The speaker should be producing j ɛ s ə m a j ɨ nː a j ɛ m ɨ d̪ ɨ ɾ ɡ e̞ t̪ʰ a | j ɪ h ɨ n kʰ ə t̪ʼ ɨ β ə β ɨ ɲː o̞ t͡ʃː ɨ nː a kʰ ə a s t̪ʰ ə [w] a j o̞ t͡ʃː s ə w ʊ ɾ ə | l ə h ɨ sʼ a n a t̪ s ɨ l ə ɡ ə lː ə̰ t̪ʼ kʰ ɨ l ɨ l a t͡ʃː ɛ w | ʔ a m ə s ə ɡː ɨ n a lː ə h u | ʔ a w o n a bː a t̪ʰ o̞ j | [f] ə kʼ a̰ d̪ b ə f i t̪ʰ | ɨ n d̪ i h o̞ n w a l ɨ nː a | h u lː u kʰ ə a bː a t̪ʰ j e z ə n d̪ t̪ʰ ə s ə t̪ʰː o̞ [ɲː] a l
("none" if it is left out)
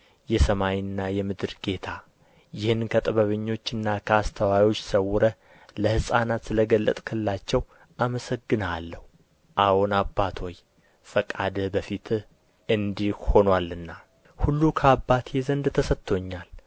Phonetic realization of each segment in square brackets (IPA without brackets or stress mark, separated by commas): w, f, ɲː